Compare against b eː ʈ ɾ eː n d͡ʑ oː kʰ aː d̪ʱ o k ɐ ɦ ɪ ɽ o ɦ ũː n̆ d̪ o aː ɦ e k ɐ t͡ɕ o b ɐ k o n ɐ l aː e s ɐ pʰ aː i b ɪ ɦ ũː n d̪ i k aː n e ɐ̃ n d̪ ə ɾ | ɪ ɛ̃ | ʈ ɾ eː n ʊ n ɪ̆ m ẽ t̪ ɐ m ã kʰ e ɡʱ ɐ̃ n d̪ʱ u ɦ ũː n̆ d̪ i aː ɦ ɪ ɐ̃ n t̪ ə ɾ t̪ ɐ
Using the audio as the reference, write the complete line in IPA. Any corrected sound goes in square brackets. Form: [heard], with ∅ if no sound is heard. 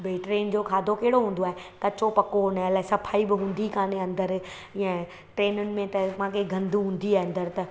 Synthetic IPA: b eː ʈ ɾ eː n d͡ʑ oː kʰ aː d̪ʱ o k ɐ ɦ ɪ ɽ o ɦ ũː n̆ d̪ o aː ɦ e k ɐ t͡ɕ o [p] ɐ k o n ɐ l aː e s ɐ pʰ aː i b ɪ ɦ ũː n d̪ i k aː n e ɐ̃ n d̪ ə ɾ | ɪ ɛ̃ | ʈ ɾ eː n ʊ n ɪ̆ m ẽ t̪ ɐ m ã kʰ e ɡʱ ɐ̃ n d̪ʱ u ɦ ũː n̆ d̪ i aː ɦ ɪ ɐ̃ n [d̪] ə ɾ t̪ ɐ

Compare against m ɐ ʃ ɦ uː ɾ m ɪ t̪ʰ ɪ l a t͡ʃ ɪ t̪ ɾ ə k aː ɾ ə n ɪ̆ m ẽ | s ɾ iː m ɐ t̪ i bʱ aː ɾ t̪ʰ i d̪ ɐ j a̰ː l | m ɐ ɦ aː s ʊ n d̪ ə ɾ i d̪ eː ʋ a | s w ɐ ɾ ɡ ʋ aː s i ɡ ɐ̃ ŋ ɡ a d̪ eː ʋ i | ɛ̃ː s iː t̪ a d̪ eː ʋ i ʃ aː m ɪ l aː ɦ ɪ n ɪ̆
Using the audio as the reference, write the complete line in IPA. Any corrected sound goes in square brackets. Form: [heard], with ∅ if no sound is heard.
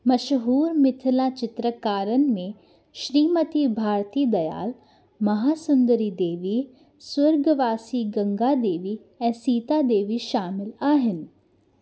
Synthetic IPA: m ɐ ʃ ɦ uː ɾ m ɪ t̪ʰ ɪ l a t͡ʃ ɪ t̪ ɾ ə k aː ɾ ə n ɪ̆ m ẽ | [ʃ] ɾ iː m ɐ t̪ i bʱ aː ɾ [t̪] i d̪ ɐ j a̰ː l | m ɐ ɦ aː s ʊ n d̪ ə ɾ i d̪ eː ʋ [i] | s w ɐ ɾ ɡ ʋ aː s i ɡ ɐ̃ ŋ ɡ a d̪ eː ʋ i | ɛ̃ː s iː t̪ a d̪ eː ʋ i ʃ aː m ɪ l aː ɦ ɪ n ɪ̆

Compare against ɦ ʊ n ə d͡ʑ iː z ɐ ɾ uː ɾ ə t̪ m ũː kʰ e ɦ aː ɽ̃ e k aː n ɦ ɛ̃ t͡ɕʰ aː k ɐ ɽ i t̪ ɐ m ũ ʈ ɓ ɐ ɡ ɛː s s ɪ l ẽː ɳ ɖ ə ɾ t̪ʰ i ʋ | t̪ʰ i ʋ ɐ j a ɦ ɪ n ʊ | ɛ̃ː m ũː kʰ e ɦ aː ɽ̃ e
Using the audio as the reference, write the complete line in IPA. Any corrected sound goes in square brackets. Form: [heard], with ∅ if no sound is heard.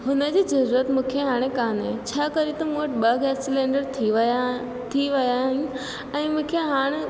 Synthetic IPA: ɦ ʊ n ə d͡ʑ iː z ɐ ɾ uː ɾ ə t̪ m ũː kʰ e ɦ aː ɽ̃ e k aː n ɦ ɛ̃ t͡ɕʰ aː k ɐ [ɾ] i t̪ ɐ m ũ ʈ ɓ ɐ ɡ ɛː s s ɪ l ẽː ɳ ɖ ə ɾ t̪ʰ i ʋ | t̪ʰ i ʋ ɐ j a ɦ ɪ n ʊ | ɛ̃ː m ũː kʰ e ɦ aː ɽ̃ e

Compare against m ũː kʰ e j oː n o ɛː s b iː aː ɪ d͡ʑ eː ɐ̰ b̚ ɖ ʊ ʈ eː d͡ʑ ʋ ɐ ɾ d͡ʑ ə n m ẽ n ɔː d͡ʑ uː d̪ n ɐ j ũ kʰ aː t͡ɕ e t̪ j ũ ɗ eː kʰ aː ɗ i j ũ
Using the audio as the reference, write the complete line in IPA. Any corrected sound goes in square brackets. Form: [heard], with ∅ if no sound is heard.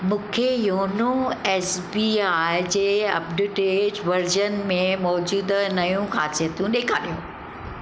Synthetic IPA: m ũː kʰ e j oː n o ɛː s b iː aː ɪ d͡ʑ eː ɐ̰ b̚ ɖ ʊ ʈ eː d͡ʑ ʋ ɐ ɾ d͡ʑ ə n m ẽ [m] ɔː d͡ʑ uː d̪ n ɐ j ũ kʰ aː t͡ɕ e t̪ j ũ ɗ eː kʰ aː ɗ i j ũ

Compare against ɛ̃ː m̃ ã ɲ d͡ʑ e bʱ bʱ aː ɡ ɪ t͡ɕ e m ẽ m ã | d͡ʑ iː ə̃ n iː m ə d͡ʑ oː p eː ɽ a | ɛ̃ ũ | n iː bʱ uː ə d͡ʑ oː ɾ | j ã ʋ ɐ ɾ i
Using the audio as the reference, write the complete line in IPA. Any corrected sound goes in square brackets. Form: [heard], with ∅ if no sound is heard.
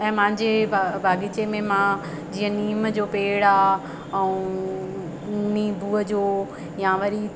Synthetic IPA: ɛ̃ː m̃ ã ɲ d͡ʑ e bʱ bʱ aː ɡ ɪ t͡ɕ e m ẽ m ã | d͡ʑ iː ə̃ n iː m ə d͡ʑ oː p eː ɽ a | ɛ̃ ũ | n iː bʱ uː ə d͡ʑ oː [∅] | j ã ʋ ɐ ɾ i

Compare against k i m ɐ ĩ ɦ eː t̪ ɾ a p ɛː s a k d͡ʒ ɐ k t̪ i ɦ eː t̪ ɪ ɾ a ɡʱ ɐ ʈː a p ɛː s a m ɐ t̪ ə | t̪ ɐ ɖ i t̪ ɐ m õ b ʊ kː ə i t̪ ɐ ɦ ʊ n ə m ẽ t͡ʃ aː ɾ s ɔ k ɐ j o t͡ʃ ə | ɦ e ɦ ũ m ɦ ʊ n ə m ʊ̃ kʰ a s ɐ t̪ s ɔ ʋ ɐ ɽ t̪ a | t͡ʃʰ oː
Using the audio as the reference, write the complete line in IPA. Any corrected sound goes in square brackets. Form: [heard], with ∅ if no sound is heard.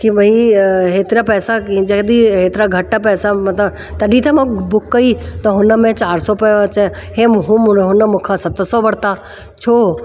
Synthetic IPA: k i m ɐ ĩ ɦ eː t̪ ɾ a p ɛː s a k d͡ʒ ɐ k [d̪] i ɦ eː t̪ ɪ ɾ a ɡʱ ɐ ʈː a p ɛː s a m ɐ t̪ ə | t̪ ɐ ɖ i t̪ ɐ m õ b ʊ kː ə i t̪ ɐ ɦ ʊ n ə m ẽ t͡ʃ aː ɾ s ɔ [p] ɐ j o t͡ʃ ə | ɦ e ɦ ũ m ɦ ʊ n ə m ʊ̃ kʰ a s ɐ t̪ s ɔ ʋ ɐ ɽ t̪ a | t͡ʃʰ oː

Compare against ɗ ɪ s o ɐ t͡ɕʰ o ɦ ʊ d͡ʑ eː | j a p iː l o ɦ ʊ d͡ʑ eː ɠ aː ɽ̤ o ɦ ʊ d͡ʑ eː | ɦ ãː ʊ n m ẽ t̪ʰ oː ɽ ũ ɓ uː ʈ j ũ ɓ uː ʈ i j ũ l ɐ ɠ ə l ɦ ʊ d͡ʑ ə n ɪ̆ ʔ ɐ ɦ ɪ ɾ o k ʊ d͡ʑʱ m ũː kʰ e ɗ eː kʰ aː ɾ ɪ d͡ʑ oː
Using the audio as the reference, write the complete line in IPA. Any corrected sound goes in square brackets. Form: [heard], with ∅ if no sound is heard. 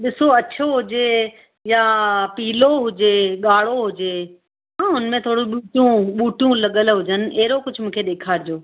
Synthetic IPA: ɗ ɪ s o ɐ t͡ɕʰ o ɦ ʊ d͡ʑ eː | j a p iː l o ɦ ʊ d͡ʑ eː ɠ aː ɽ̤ o ɦ ʊ d͡ʑ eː | ɦ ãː ʊ n m ẽ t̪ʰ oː ɽ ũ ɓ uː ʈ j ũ ɓ uː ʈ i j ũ l ɐ ɠ ə l ɦ ʊ d͡ʑ ə n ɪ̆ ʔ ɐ ɦ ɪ ɾ o k ʊ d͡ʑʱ m ũː kʰ e ɗ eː kʰ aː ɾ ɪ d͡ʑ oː

